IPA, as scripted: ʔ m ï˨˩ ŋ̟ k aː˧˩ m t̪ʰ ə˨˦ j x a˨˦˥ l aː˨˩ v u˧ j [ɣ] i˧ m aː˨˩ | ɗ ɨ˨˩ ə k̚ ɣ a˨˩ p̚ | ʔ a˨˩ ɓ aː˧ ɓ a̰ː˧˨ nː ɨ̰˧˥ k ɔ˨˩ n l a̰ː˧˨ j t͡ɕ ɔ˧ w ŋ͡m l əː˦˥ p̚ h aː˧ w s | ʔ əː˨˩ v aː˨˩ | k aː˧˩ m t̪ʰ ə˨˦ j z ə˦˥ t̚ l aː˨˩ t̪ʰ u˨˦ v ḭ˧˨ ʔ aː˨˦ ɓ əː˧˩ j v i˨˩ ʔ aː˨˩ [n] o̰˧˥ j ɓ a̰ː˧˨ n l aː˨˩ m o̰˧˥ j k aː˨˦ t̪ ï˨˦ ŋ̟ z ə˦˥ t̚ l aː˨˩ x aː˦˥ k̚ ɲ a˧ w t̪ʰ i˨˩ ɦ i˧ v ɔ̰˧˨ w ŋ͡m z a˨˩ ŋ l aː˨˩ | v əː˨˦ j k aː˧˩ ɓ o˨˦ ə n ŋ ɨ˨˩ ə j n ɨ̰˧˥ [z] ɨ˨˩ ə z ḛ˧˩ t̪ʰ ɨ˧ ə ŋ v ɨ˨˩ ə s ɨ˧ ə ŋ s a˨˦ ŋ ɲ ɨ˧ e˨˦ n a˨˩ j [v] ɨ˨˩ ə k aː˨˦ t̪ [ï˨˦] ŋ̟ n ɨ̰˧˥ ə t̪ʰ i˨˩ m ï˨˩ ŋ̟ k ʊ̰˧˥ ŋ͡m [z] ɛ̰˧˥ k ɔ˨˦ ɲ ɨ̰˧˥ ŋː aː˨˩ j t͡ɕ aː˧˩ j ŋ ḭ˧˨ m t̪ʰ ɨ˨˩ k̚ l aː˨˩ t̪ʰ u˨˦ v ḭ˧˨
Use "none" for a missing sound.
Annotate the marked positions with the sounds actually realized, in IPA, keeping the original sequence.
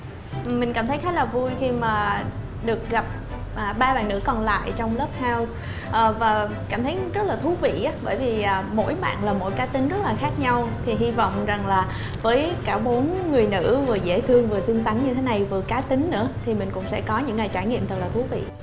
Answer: x, m, v, v, ï˨˦, s

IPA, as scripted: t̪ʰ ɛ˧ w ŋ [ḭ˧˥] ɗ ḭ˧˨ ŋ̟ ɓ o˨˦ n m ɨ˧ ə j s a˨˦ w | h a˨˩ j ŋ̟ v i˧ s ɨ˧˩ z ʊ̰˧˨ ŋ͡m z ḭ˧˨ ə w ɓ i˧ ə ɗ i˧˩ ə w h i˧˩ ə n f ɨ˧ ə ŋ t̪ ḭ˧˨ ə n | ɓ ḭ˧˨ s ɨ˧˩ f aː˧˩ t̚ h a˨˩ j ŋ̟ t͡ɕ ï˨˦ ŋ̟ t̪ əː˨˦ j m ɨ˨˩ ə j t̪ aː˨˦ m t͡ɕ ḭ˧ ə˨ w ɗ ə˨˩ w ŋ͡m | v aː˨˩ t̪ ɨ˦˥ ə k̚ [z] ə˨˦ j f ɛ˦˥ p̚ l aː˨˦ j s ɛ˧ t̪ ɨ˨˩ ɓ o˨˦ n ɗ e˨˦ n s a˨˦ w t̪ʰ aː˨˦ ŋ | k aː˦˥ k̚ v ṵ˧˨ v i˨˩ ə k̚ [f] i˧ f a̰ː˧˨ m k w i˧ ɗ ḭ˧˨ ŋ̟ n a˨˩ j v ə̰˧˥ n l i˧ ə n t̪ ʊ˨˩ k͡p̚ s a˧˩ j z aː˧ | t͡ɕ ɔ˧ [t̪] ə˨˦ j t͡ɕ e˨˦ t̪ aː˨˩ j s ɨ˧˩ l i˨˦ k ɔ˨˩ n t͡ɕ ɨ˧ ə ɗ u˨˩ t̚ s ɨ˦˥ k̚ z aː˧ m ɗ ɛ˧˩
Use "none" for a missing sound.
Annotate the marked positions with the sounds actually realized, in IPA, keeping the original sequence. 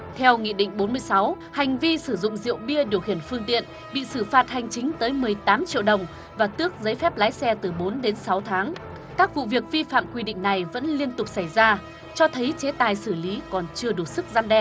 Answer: ḭ˧˨, z, v, t̪ʰ

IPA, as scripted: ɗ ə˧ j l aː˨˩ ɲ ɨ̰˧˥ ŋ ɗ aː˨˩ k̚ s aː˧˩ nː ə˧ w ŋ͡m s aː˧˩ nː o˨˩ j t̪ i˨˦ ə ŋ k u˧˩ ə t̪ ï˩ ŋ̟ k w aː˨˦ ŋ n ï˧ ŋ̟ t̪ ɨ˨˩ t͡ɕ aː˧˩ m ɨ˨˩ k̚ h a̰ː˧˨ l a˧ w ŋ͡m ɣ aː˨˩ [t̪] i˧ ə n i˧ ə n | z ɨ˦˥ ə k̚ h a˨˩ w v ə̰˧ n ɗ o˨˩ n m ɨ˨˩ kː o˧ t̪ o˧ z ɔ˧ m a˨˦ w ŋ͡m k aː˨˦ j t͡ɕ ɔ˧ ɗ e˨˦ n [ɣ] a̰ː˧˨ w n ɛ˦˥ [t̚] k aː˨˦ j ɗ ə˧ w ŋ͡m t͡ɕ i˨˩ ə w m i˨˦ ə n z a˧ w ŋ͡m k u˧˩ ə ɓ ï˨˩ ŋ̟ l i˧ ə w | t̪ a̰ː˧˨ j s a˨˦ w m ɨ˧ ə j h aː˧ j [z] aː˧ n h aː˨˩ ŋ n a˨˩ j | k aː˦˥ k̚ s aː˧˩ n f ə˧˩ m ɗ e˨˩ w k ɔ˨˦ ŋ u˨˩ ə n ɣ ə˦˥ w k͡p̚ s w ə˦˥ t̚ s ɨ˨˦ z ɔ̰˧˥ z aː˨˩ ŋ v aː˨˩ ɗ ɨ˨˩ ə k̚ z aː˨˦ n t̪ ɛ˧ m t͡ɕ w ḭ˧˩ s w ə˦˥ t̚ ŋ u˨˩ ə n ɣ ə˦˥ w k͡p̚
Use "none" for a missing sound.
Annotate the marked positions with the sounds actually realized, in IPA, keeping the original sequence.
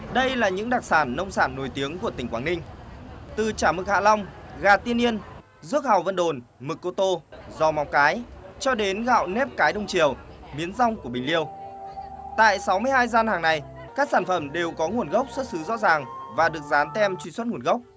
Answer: t̪, ɣ, p̚, z

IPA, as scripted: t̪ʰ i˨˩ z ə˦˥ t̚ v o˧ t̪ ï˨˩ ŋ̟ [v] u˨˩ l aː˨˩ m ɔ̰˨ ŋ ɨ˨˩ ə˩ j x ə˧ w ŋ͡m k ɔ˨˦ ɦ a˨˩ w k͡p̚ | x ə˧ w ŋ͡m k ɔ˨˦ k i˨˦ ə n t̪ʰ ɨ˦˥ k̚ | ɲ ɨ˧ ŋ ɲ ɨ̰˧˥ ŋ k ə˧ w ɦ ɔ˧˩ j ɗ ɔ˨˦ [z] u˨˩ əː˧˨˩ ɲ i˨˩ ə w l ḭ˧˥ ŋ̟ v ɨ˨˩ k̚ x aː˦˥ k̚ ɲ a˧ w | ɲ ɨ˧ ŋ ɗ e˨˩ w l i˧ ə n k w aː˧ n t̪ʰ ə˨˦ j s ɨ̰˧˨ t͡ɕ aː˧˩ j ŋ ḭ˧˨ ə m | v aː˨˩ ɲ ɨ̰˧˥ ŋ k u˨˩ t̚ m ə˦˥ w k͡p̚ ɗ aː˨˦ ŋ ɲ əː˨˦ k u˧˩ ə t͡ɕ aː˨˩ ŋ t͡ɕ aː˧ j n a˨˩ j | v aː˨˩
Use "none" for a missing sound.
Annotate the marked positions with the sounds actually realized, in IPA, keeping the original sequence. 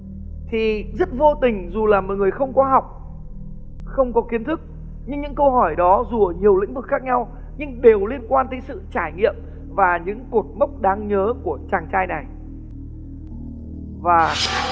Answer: z, z

